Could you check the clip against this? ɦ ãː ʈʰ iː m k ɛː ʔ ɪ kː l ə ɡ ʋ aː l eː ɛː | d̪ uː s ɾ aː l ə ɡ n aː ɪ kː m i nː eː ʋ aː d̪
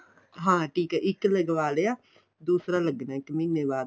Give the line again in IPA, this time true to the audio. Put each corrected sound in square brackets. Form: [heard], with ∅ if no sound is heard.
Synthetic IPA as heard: ɦ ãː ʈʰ iː [∅] k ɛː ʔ ɪ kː l ə ɡ ʋ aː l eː [aː] | d̪ uː s ɾ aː l ə ɡ n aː ɪ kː m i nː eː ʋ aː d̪

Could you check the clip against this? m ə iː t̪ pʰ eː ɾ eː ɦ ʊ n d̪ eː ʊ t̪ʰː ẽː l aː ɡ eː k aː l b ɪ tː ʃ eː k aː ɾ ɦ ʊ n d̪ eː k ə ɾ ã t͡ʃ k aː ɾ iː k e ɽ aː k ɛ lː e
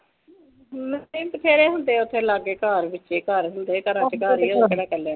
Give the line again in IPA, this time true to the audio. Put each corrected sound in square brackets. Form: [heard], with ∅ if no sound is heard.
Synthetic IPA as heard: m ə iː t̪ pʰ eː ɾ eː ɦ ʊ n d̪ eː ʊ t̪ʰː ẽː l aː ɡ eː k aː [ɾ] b ɪ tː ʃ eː k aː ɾ ɦ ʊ n d̪ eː k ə ɾ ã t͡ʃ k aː ɾ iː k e ɽ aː k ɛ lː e

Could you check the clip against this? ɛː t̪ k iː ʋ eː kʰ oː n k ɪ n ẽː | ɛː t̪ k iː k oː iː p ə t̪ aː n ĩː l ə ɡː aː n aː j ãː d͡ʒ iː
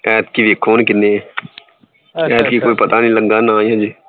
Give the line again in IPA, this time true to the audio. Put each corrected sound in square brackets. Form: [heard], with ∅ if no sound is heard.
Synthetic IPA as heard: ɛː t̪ k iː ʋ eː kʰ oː n k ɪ n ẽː | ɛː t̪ k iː k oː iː p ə t̪ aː n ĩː l ə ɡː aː n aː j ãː d͡ʒ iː

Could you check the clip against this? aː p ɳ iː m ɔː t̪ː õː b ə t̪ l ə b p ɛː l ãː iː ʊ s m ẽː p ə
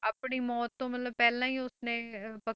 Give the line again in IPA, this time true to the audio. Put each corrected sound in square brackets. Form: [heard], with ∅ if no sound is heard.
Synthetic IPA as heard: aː p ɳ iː m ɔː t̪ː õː [m] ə t̪ l ə b p ɛː l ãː iː ʊ s [n] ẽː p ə

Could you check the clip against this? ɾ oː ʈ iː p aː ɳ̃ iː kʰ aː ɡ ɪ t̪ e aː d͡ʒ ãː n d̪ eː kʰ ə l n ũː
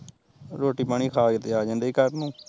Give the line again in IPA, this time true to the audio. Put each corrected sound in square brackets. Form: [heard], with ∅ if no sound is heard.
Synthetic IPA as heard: ɾ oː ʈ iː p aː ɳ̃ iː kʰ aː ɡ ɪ t̪ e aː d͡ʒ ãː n d̪ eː [k] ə [ɾ] n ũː

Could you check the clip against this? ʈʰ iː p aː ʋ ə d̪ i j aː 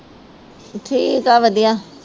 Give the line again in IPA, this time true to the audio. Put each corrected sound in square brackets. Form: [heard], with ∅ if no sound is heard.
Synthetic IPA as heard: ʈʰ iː [k] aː ʋ ə d̪ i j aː

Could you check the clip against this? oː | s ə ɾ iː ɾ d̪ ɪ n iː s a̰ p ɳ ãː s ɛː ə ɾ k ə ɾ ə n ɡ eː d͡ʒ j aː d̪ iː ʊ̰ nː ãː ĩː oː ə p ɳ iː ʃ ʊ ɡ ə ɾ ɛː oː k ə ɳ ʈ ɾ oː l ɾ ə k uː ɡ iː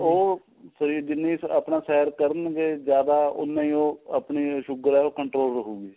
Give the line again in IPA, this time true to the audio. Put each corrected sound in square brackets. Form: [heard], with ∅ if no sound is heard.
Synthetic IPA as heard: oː | s ə ɾ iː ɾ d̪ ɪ n iː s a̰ p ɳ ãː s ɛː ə ɾ k ə ɾ ə n ɡ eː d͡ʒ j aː d̪ [aː] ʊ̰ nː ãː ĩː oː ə p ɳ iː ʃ ʊ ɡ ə ɾ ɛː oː k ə ɳ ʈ ɾ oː l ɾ ə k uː ɡ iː

